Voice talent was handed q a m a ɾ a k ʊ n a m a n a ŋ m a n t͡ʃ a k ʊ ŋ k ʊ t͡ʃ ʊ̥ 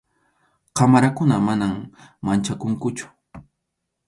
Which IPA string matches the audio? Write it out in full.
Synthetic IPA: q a m a ɾ a k ʊ n a m a n a m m a n t͡ʃ a k ʊ ŋ k ʊ t͡ʃ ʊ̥